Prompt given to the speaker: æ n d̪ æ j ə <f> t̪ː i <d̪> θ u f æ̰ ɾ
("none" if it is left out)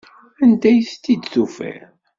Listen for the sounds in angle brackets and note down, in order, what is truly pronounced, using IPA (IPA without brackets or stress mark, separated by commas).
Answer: s, d̪